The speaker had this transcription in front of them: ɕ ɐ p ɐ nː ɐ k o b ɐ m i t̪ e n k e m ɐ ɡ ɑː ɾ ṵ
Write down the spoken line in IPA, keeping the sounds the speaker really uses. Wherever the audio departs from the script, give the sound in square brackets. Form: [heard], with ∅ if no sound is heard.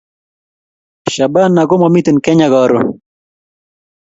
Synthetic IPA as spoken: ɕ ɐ [b] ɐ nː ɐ [ɡ] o [m] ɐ m i t̪ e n k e [ɲ] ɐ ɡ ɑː ɾ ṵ